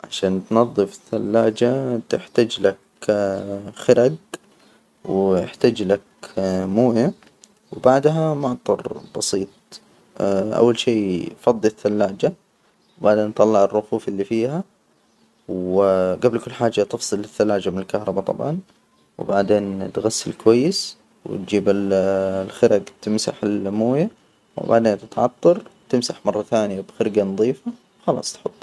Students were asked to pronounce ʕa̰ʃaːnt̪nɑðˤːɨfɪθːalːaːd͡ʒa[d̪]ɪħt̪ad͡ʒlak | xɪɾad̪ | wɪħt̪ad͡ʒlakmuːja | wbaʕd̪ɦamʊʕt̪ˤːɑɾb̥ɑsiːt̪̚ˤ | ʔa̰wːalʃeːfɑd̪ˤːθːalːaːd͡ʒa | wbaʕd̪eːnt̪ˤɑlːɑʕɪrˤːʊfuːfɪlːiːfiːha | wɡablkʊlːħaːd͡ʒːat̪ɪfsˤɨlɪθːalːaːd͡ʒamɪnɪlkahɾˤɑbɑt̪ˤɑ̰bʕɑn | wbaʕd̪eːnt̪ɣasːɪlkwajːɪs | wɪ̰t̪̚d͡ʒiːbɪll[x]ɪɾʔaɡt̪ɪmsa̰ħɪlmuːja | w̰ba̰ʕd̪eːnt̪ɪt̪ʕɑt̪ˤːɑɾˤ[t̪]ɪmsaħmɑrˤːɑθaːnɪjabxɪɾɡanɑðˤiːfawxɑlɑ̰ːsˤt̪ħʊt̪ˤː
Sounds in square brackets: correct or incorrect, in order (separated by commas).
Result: incorrect, correct, correct